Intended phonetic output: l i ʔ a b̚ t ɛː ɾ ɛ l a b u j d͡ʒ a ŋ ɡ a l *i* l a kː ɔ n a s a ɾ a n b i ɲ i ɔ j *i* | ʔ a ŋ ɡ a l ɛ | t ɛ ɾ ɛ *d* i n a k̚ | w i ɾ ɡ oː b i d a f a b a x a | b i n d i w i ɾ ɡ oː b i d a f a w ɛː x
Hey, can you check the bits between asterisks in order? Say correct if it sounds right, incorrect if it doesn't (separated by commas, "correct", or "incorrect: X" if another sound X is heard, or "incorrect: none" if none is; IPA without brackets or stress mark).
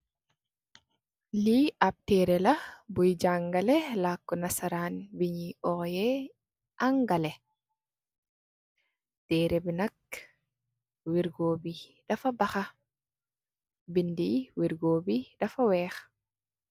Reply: incorrect: ɛ, incorrect: ɛ, incorrect: b